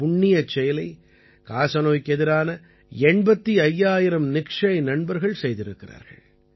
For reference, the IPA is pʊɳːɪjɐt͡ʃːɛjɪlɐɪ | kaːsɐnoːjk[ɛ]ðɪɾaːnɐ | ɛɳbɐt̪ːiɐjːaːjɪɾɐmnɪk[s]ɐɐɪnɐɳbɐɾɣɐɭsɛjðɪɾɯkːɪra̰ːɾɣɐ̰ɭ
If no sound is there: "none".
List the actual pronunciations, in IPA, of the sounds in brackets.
ɛ, ʂ

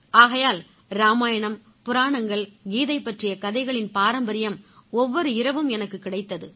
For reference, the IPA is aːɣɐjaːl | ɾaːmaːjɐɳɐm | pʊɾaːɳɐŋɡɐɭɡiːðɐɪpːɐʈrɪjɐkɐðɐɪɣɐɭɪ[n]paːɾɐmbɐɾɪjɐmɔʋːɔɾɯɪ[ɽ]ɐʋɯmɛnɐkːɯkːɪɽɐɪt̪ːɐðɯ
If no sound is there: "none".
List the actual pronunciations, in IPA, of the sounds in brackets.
n, ɾ

